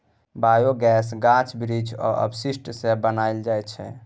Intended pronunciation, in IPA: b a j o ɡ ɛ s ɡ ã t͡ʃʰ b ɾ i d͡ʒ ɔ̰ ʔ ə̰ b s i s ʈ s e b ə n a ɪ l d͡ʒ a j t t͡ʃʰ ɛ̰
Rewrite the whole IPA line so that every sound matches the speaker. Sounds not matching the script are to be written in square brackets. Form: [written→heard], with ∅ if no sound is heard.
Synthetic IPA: b a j o ɡ ɛ s ɡ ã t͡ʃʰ b ɾ i d͡ʒ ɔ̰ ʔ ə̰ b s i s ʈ s e b ə n a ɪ l d͡ʒ a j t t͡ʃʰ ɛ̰